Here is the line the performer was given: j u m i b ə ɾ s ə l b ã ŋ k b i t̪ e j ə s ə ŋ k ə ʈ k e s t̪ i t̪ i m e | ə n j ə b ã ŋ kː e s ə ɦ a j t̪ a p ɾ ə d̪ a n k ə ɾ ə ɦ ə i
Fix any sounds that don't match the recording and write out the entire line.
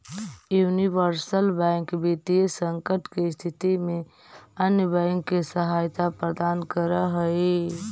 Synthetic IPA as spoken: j u n i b ə ɾ s ə l b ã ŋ k b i t̪ i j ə s ə ŋ k ə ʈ k e s t̪ʰ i t̪ i m e | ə n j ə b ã ŋ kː e s ə ɦ a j t̪ a p ɾ ə d̪ a n k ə ɾ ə ɦ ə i